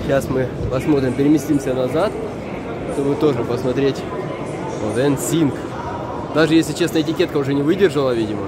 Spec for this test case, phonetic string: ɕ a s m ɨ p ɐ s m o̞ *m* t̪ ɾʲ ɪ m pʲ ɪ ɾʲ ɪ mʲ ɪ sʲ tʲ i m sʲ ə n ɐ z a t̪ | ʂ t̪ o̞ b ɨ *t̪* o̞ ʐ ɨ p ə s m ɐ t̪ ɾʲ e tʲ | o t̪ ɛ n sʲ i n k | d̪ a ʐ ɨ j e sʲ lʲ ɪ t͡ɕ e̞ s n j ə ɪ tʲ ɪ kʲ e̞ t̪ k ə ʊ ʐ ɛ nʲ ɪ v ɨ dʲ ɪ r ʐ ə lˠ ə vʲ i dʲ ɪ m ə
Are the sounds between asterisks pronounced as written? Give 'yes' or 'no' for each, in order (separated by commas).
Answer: no, yes